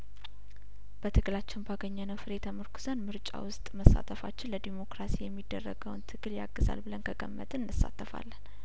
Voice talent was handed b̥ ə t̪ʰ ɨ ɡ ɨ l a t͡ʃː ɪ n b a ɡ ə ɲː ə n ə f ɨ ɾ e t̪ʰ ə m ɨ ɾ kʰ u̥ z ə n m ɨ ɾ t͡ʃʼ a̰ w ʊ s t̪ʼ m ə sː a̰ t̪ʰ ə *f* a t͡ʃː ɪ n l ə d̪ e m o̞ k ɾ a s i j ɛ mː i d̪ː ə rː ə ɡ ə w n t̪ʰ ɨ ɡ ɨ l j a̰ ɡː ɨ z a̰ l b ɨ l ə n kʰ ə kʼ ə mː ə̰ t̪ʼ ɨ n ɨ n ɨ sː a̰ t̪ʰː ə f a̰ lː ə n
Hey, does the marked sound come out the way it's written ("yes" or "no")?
yes